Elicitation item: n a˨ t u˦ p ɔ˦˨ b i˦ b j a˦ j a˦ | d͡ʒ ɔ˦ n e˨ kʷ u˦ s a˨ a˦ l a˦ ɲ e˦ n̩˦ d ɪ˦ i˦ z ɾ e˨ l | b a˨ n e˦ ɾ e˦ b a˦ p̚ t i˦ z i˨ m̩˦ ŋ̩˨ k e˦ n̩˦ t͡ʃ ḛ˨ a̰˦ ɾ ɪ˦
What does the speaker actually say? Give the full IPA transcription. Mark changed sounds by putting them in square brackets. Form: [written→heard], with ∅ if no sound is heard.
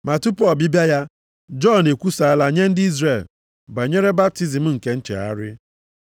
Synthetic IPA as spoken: [n→m] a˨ t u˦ p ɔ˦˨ b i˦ b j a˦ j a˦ | d͡ʒ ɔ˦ n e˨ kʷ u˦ s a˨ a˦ l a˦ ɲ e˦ n̩˦ d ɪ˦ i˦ z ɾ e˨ l | b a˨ [n→ɲ] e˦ ɾ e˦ b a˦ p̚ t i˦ z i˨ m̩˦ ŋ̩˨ k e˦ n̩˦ t͡ʃ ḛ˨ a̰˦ ɾ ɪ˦